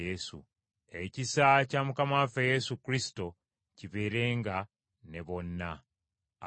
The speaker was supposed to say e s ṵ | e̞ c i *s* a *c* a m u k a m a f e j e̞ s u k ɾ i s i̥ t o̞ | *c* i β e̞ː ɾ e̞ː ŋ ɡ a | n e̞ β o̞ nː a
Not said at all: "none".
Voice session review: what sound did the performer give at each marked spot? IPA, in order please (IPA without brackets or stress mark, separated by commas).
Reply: s, c, c